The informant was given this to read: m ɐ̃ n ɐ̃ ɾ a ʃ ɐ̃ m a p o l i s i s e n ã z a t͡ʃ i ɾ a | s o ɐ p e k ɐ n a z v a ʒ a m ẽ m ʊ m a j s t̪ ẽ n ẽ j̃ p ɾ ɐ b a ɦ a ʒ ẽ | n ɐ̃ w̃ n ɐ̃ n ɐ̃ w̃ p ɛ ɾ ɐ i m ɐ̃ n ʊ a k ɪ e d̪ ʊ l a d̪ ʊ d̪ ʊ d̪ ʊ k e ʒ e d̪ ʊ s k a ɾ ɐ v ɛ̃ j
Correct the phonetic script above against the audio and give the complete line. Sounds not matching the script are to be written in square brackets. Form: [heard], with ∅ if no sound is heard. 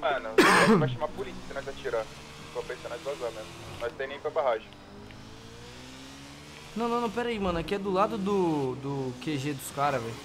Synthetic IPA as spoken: m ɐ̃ n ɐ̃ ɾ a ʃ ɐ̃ m a p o l i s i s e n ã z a t͡ʃ i ɾ a | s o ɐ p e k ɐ n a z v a [z] a m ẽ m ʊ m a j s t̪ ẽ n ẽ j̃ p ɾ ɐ b a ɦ a ʒ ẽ | n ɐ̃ w̃ n ɐ̃ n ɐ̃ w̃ p ɛ ɾ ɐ i m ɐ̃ n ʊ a k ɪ [ɛ] d̪ ʊ l a d̪ ʊ d̪ ʊ d̪ ʊ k e ʒ e d̪ ʊ s k a ɾ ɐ v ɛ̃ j